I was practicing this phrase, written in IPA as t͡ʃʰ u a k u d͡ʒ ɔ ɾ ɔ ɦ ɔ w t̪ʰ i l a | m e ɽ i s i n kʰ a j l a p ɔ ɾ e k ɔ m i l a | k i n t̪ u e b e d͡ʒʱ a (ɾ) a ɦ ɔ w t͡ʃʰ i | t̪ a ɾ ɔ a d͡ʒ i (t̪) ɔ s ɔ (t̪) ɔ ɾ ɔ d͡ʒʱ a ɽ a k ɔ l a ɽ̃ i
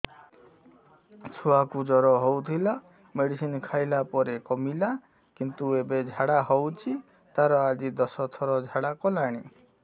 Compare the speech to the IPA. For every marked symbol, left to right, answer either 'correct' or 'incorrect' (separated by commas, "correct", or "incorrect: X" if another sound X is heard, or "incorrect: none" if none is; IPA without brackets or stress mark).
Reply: incorrect: ɽ, incorrect: d̪, incorrect: t̪ʰ